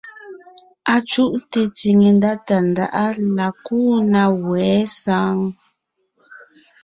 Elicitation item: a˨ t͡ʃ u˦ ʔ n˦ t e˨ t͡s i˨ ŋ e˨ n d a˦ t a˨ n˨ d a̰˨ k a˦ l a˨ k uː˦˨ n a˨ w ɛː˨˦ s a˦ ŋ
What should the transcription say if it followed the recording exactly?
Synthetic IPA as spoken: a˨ t͡ʃ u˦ ʔ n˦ t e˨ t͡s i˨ ŋ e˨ n d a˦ t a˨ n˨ d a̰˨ ʔ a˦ l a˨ k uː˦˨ n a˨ w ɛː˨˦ s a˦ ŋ